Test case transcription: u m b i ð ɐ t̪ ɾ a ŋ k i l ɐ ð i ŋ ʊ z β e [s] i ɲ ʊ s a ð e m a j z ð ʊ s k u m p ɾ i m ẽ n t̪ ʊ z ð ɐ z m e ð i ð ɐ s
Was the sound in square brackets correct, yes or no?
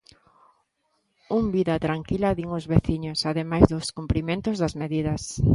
no